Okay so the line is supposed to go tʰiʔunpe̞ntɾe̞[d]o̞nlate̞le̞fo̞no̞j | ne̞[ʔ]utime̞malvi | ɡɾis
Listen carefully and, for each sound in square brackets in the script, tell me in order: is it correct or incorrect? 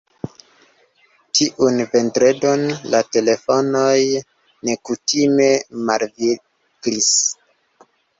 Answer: correct, incorrect: k

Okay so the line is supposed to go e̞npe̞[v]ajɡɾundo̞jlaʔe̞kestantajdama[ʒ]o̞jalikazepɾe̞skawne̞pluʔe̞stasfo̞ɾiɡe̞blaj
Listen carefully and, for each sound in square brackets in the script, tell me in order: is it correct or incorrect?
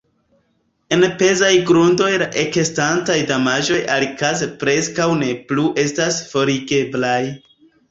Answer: incorrect: z, correct

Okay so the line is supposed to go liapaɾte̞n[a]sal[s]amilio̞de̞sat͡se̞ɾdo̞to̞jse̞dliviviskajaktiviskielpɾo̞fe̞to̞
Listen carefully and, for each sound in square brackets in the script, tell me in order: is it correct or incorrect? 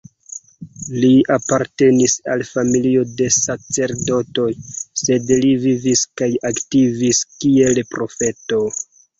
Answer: incorrect: i, incorrect: f

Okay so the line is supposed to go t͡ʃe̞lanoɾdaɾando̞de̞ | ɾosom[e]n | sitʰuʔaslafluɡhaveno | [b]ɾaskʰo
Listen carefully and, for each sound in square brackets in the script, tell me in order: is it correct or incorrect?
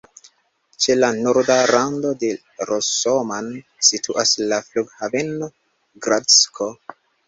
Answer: incorrect: a, incorrect: ɡ

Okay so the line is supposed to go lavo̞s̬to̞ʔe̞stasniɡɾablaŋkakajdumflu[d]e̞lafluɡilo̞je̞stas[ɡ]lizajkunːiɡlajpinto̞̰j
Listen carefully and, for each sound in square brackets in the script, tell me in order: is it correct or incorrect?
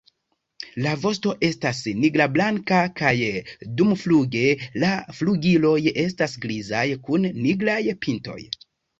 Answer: incorrect: ɡ, correct

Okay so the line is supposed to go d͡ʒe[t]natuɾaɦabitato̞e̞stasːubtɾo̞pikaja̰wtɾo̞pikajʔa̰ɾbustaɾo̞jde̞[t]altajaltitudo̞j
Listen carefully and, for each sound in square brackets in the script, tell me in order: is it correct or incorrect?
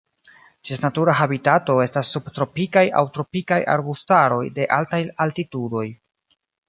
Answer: incorrect: s, incorrect: ʔ

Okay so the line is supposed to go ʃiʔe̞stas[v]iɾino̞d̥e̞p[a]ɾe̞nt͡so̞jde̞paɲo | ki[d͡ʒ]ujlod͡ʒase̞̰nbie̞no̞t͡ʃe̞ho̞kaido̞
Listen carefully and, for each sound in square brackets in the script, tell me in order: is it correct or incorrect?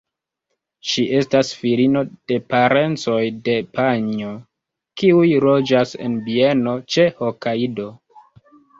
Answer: incorrect: f, correct, incorrect: none

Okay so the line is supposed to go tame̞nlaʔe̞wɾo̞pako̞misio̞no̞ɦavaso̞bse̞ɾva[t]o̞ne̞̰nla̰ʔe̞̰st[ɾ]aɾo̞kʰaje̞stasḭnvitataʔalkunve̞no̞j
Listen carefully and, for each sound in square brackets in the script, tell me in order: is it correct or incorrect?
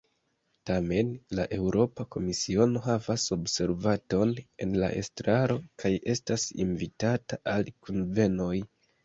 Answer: correct, correct

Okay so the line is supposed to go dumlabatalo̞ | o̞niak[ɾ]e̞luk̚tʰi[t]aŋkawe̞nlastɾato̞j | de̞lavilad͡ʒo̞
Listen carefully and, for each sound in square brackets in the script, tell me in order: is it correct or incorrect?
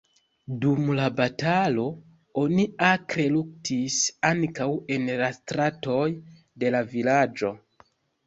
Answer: correct, incorrect: s

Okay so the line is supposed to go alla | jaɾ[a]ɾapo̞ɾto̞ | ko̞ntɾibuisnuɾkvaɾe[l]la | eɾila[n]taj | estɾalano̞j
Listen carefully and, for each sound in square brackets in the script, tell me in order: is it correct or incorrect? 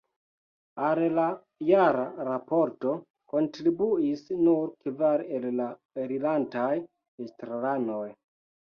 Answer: correct, correct, correct

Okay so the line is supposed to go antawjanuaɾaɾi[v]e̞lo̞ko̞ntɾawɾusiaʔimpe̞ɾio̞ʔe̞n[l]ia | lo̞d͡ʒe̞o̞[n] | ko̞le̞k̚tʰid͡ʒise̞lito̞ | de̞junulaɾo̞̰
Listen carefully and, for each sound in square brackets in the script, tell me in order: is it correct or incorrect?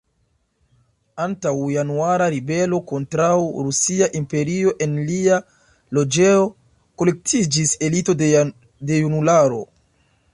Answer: incorrect: b, correct, incorrect: none

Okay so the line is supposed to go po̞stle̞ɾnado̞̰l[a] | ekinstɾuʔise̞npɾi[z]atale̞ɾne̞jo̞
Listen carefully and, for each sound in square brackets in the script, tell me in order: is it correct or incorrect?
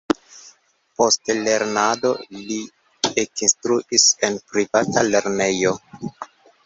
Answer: incorrect: i, incorrect: v

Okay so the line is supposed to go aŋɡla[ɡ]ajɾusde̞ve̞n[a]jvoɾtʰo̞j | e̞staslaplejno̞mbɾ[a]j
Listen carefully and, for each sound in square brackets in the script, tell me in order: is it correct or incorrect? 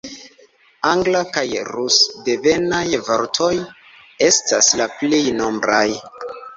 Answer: incorrect: k, correct, correct

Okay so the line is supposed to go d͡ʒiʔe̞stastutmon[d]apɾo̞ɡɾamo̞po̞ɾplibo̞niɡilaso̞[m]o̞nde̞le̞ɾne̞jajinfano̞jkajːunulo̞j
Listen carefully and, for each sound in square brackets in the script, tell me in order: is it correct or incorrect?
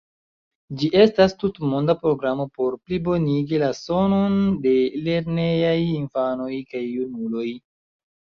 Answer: correct, incorrect: n

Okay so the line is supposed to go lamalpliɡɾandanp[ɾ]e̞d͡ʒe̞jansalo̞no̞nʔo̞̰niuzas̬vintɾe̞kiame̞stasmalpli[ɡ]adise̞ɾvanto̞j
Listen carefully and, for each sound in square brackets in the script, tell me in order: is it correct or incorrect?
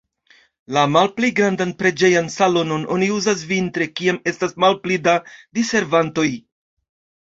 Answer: correct, incorrect: d

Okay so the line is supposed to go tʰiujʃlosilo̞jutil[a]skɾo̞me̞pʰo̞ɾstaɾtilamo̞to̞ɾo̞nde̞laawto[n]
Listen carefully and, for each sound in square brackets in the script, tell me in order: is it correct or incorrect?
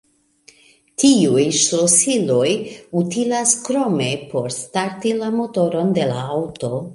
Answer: correct, incorrect: none

